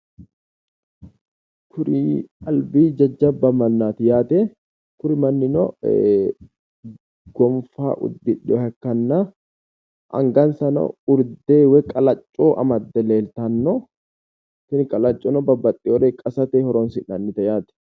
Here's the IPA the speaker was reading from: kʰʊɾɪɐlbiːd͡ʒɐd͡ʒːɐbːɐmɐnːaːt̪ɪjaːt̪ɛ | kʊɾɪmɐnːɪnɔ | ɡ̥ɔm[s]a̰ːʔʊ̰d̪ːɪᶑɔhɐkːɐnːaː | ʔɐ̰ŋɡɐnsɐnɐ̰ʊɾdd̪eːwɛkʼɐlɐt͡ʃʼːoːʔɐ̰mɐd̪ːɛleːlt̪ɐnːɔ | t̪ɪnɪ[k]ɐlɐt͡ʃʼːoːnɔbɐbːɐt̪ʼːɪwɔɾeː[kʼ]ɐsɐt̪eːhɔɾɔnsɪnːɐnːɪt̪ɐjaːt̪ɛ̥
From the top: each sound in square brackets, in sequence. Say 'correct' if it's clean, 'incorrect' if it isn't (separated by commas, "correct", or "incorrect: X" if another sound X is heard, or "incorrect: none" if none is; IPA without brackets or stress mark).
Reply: incorrect: f, incorrect: kʼ, correct